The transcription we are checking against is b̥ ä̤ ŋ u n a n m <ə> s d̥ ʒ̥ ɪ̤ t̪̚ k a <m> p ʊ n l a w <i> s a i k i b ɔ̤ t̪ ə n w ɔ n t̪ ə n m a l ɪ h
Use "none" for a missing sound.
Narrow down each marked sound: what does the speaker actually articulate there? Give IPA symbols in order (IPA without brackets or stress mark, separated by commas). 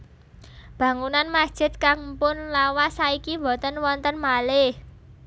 a, ŋ, a